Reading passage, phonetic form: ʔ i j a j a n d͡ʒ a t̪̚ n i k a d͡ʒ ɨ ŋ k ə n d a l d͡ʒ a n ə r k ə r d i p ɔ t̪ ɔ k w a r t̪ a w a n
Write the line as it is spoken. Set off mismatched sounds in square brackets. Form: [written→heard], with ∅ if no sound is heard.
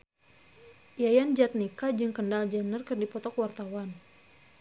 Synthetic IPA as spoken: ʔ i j a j a n d͡ʒ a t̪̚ n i k a d͡ʒ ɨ ŋ k ə n d a l d͡ʒ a n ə r k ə r d i p ɔ t̪ ɔ k w a r t̪ a w a n